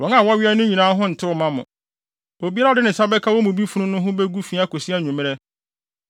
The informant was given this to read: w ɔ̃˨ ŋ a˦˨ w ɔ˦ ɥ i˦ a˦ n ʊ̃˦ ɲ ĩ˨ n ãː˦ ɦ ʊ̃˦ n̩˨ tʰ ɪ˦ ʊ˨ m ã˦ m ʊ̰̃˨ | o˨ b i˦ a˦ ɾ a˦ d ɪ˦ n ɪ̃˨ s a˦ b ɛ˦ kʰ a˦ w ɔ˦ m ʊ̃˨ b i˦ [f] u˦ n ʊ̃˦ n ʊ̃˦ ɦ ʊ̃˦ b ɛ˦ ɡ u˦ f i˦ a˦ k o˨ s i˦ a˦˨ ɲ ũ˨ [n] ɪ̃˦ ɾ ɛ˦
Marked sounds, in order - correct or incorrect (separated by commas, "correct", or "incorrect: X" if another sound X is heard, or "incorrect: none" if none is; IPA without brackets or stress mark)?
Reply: correct, incorrect: m